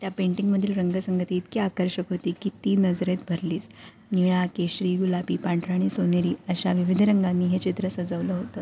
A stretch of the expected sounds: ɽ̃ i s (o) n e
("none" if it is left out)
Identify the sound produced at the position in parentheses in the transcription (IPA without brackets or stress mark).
o